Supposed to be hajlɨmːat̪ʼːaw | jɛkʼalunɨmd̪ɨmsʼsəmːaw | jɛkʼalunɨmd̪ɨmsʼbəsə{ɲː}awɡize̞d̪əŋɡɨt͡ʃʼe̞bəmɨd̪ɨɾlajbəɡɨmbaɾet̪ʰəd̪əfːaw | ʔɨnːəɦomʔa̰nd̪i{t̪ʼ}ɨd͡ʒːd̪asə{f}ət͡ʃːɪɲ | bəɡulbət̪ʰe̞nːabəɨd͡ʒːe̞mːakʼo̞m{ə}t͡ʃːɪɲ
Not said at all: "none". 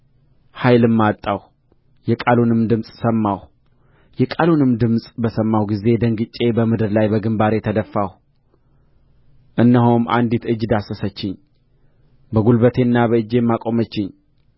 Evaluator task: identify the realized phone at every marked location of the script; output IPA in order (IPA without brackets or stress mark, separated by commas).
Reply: mː, t̪, s, ə